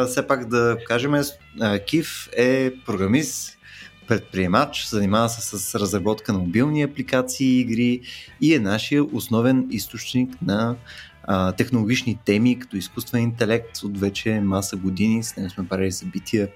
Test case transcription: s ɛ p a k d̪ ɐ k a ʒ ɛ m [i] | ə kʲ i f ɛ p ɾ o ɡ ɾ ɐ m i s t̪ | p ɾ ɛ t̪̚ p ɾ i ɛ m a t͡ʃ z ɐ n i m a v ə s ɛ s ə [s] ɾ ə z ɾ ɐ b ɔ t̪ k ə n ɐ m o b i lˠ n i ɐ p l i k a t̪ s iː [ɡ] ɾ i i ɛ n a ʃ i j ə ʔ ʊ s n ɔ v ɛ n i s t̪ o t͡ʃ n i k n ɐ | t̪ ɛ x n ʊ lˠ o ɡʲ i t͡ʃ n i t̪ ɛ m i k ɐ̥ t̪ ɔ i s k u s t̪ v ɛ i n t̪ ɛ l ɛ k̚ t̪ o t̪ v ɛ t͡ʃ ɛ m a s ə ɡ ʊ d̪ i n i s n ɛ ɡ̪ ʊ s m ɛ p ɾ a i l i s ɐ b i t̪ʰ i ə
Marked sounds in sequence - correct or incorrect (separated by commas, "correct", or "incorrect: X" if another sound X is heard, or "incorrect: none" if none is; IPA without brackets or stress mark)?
incorrect: ɛ, correct, correct